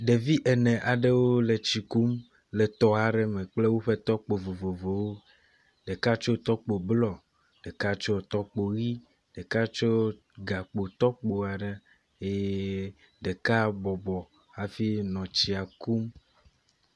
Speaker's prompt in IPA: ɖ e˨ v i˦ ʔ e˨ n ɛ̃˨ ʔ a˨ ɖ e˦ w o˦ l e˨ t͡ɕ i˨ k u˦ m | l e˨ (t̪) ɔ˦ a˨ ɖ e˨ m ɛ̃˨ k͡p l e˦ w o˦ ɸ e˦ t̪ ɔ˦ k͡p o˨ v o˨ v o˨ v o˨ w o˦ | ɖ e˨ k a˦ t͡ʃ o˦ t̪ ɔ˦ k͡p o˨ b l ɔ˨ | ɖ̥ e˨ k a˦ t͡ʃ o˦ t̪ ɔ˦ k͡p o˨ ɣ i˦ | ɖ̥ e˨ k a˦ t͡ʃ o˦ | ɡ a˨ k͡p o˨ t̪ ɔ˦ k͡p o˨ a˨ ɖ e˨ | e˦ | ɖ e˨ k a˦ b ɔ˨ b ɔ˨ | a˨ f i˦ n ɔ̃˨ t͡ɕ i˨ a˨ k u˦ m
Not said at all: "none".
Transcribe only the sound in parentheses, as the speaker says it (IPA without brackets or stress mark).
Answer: t̪